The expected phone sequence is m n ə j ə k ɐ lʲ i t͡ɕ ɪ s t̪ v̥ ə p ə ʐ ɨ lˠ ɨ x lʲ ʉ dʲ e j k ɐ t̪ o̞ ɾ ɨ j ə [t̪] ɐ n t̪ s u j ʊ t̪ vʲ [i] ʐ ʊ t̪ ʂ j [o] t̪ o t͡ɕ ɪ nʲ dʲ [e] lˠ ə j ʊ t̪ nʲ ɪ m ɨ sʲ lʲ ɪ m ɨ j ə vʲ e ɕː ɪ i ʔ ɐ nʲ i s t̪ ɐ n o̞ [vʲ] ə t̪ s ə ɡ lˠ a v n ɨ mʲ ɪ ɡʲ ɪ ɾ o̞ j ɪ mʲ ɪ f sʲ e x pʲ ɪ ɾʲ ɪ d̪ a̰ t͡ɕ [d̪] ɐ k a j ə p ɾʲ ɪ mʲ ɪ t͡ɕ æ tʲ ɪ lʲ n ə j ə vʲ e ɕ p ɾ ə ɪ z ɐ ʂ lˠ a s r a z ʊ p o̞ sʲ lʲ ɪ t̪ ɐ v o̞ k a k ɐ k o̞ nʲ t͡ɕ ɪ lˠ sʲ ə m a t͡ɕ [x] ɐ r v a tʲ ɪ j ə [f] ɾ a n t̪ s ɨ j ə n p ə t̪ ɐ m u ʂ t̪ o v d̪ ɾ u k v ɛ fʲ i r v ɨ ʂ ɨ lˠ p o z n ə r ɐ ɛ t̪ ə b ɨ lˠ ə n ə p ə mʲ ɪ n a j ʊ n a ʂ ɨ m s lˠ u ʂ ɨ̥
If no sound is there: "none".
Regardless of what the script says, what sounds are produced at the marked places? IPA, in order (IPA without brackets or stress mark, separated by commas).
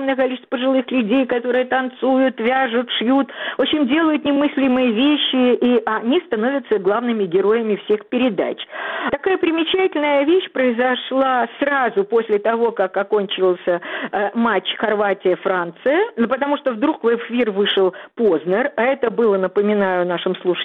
t̪, a, u, e, vʲ, t̪, x, f